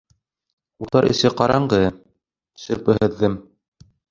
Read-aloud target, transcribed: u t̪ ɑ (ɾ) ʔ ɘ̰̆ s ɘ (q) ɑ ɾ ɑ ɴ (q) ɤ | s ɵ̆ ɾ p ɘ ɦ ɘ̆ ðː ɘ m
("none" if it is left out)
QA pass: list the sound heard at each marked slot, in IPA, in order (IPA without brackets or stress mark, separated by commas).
ɾ, q, ɢ